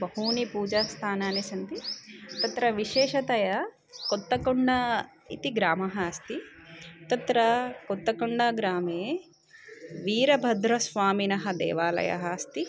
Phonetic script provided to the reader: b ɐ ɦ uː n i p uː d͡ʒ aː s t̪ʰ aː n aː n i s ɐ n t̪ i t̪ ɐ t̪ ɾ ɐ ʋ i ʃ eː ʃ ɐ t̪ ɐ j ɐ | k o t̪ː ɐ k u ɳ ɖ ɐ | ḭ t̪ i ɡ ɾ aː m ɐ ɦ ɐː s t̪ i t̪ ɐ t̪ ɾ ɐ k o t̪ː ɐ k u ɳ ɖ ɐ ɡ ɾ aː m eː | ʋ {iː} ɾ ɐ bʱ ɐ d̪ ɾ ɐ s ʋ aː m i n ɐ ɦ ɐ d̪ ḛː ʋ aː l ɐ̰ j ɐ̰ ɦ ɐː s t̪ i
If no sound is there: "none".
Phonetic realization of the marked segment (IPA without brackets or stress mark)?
iː